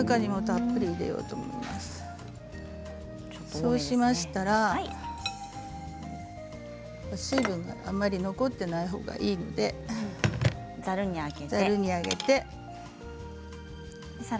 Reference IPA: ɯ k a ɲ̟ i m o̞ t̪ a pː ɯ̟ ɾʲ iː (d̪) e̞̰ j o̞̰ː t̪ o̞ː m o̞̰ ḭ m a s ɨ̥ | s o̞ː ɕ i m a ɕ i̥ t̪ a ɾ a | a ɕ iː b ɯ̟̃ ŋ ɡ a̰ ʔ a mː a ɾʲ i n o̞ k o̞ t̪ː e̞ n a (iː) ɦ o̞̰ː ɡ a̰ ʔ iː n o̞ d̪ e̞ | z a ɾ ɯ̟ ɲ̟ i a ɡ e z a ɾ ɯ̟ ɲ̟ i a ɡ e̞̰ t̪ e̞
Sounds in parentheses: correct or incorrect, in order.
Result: correct, incorrect: i

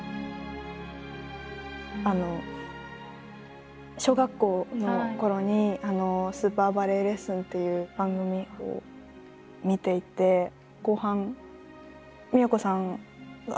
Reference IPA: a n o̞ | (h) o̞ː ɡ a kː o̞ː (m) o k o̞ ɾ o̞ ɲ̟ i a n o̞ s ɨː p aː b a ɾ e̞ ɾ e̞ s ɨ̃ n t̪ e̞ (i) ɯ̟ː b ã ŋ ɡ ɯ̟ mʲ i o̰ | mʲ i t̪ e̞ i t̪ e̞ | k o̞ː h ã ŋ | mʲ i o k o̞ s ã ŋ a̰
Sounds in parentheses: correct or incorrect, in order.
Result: incorrect: ɕ, incorrect: n, incorrect: j

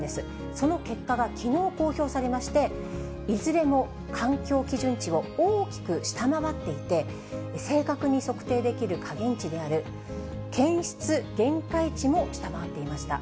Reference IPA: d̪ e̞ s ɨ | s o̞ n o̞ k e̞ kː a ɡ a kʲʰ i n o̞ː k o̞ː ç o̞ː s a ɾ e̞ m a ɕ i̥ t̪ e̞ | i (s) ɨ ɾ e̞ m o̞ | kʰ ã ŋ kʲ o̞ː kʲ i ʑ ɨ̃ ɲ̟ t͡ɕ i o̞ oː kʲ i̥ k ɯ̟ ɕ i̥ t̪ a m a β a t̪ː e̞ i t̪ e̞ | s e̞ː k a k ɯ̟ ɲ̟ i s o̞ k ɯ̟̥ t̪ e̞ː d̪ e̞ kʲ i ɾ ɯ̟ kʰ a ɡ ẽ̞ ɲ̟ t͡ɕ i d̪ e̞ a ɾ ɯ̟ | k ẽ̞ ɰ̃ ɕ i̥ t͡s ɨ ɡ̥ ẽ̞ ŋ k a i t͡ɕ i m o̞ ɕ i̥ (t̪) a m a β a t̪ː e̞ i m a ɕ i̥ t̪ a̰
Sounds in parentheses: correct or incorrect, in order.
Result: incorrect: z, correct

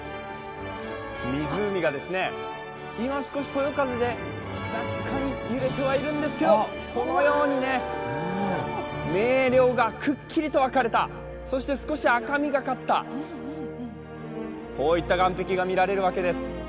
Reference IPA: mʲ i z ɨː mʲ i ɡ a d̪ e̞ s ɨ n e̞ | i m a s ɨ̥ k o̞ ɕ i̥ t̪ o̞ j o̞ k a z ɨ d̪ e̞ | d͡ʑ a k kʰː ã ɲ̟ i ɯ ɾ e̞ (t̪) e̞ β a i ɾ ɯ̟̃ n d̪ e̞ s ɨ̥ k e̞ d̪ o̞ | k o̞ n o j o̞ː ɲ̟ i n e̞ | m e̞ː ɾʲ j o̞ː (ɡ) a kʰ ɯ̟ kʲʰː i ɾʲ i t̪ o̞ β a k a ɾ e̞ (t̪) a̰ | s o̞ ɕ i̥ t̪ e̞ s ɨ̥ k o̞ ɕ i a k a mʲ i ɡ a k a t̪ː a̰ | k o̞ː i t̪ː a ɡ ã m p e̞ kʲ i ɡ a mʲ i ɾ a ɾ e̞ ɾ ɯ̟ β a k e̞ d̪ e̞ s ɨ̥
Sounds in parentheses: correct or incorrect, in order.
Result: correct, correct, correct

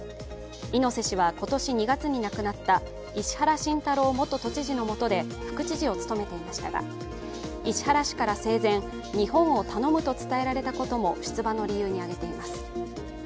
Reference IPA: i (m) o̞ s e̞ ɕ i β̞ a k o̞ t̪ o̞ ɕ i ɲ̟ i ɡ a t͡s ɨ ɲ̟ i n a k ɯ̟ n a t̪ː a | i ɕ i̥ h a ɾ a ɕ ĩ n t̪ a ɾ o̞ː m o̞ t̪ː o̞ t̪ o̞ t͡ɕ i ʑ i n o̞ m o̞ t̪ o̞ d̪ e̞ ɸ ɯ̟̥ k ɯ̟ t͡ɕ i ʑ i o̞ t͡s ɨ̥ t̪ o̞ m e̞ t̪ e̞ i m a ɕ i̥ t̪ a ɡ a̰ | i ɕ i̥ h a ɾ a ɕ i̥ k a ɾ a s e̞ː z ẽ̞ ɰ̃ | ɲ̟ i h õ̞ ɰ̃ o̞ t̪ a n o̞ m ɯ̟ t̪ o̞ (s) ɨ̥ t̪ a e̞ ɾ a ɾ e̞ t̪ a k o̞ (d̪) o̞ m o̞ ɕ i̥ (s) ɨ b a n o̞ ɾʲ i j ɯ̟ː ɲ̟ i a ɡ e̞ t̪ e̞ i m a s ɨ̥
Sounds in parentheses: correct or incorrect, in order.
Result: incorrect: n, incorrect: t͡s, incorrect: t̪, incorrect: t͡s

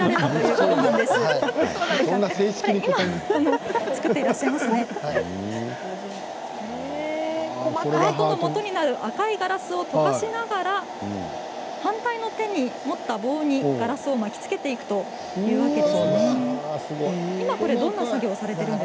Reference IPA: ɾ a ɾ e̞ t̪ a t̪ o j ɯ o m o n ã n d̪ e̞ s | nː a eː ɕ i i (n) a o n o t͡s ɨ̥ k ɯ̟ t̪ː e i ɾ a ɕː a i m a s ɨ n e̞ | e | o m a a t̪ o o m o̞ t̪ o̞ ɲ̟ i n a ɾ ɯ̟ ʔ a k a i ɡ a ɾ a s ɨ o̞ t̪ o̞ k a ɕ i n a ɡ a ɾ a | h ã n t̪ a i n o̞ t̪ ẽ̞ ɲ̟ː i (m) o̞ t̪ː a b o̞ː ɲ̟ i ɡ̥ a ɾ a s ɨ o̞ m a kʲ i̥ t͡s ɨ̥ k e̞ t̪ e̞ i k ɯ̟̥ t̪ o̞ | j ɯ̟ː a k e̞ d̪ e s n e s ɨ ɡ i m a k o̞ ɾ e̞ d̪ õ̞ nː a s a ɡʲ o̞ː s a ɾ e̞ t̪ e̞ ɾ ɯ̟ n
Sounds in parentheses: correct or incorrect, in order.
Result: incorrect: m, correct

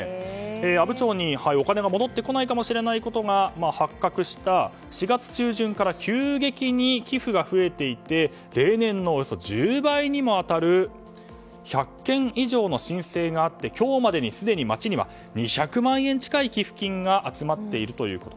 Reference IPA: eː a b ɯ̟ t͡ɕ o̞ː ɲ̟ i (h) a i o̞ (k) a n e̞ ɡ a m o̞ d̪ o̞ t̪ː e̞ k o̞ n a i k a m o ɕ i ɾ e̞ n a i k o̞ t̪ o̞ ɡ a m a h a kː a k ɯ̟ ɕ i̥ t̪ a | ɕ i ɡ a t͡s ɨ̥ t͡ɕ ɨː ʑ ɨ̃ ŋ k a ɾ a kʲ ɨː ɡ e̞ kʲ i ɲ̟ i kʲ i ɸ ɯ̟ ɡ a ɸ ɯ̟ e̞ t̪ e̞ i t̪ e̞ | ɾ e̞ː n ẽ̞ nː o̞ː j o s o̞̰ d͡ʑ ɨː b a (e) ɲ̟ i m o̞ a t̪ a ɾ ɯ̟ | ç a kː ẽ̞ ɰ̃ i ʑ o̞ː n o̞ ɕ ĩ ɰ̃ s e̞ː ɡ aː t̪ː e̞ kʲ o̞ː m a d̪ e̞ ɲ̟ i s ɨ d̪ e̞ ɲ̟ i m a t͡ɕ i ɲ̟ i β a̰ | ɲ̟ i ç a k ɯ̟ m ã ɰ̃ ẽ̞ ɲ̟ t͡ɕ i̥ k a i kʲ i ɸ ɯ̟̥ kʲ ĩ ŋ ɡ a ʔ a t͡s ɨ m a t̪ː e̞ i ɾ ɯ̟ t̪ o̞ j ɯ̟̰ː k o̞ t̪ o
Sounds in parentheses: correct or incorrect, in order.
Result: correct, correct, incorrect: i

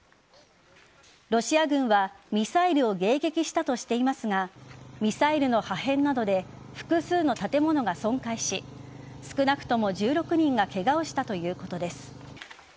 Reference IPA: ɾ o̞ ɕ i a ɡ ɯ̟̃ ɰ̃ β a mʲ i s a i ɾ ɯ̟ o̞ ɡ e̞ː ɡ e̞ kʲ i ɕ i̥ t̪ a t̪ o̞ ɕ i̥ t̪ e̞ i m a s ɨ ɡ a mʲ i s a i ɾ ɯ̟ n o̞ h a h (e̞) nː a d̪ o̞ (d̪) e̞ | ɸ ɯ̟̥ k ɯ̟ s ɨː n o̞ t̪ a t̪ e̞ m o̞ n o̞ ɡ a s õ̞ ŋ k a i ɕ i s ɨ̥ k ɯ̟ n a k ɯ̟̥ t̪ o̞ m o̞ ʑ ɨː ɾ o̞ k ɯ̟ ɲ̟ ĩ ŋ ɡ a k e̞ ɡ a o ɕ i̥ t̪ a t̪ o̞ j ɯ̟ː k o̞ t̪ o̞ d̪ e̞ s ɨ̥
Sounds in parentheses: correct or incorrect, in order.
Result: incorrect: ẽ̞, correct

